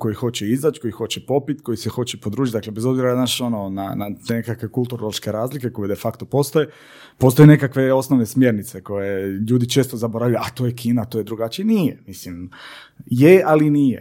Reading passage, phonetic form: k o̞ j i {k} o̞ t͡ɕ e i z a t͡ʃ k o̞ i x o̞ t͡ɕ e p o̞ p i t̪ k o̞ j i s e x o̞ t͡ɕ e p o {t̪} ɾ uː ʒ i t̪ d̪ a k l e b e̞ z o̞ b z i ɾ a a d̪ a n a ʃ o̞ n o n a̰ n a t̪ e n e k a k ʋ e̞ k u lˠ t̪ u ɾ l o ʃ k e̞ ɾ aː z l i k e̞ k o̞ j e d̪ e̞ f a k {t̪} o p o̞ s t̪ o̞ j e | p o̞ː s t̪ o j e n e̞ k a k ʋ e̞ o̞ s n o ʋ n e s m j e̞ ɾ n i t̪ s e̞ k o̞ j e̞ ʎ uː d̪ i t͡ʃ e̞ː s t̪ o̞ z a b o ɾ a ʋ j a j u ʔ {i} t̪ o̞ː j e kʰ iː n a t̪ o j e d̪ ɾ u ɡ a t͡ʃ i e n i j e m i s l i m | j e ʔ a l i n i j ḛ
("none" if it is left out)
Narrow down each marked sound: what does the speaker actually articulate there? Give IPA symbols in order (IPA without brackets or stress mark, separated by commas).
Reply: x, d̪, t̪, a